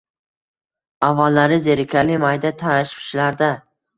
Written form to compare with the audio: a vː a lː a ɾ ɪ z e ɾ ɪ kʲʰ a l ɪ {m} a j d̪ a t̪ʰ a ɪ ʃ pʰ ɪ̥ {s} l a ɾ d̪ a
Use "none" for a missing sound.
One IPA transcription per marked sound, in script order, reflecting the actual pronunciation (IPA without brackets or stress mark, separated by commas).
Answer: m, ʃ